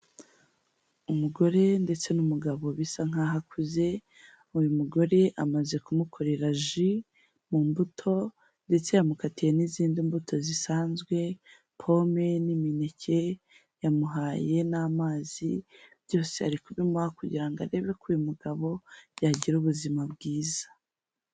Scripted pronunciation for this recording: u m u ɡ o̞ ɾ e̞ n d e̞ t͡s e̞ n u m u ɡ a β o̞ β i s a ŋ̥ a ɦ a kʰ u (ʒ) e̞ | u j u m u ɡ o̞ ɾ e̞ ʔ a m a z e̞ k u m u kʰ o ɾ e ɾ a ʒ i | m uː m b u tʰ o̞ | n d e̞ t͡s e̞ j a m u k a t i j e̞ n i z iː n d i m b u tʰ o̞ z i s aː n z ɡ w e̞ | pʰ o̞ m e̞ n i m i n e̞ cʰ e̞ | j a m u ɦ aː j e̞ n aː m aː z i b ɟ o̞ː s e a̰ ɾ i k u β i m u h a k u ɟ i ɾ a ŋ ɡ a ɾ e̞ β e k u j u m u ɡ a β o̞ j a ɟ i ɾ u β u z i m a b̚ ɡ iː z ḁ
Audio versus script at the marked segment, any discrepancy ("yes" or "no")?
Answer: yes